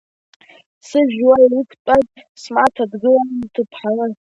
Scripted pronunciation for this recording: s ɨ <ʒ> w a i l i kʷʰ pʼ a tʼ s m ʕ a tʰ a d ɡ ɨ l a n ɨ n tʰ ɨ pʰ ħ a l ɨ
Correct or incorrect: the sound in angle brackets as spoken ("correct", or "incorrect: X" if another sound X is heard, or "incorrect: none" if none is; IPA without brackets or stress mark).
correct